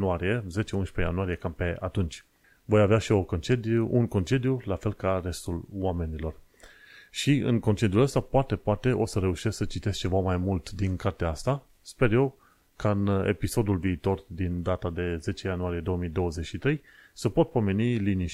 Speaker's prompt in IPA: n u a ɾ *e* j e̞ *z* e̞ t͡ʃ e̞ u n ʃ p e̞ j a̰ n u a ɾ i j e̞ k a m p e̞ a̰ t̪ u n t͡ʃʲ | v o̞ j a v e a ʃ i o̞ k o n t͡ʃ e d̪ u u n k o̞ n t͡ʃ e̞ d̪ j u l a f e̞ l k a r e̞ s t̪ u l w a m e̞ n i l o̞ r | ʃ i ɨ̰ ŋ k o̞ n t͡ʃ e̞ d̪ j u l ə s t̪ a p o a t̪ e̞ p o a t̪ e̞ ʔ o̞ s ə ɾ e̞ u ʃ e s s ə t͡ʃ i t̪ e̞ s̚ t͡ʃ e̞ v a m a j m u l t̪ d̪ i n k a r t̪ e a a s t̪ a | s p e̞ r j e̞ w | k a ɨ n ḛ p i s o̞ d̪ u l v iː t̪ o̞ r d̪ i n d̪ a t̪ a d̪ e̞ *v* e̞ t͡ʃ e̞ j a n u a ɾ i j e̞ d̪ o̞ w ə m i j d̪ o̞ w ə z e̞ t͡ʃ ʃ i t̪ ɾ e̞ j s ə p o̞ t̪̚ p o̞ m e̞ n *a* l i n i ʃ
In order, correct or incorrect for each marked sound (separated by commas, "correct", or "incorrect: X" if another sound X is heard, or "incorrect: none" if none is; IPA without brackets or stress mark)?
incorrect: i, correct, incorrect: z, incorrect: i